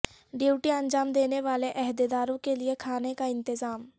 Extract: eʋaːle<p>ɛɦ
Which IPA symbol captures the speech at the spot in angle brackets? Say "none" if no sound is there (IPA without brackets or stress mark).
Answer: ʔ